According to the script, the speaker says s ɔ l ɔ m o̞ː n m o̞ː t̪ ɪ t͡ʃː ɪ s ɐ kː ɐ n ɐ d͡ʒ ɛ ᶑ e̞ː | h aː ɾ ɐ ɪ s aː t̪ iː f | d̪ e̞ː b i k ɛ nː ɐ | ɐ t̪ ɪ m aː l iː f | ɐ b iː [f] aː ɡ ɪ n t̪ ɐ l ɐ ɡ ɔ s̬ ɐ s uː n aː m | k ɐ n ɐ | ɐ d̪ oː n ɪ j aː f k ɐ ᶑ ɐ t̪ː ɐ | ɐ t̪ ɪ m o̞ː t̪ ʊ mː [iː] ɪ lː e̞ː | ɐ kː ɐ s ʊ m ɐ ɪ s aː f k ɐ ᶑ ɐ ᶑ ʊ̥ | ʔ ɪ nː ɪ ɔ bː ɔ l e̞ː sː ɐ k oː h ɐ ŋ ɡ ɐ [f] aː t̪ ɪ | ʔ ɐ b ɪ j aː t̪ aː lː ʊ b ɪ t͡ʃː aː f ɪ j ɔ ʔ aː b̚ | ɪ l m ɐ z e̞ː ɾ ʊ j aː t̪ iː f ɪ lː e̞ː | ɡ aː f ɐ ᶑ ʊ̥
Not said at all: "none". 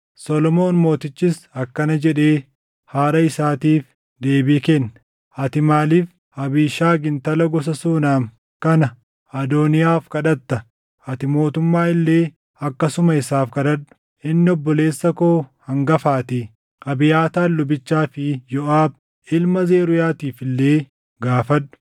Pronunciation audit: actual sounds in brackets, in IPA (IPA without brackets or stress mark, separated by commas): ʃ, aː, f